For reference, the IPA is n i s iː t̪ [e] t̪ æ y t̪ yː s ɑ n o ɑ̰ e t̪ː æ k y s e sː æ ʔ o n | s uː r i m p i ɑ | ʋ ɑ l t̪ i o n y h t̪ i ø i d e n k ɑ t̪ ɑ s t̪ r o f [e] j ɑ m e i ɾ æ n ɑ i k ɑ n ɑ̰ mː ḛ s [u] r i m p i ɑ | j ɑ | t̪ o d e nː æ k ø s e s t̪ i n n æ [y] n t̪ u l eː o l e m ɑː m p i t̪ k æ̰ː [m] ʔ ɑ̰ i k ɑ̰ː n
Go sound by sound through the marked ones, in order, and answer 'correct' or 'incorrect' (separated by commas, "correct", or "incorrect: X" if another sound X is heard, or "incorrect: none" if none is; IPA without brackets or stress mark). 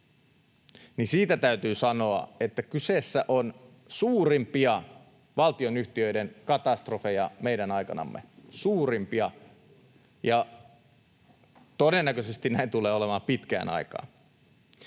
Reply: incorrect: æ, correct, incorrect: uː, incorrect: i, incorrect: n